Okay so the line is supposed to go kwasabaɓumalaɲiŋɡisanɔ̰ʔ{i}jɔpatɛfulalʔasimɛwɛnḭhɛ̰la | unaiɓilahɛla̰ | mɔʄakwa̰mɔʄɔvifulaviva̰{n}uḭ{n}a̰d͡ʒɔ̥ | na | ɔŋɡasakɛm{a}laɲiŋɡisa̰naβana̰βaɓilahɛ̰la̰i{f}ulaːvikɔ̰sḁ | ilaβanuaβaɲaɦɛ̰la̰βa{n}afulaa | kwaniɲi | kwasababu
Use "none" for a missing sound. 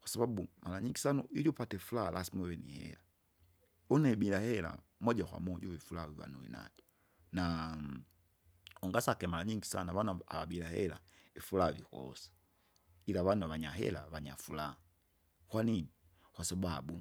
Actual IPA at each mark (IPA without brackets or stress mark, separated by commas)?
i, n, n, a, f, ɲ